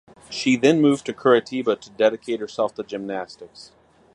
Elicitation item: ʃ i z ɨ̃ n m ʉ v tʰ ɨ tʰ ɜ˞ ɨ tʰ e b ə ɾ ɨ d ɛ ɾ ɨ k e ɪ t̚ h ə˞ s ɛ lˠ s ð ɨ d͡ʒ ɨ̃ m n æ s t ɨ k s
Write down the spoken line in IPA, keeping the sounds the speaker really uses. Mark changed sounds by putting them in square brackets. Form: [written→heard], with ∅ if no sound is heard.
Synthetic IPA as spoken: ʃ i [z→ð] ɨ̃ n m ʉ v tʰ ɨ [tʰ→kʰ] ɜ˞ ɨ tʰ [e→i] b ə ɾ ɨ d ɛ ɾ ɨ [k→kʰ] e ɪ t̚ h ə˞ s ɛ lˠ [s→f] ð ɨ d͡ʒ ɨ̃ m n æ s t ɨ k s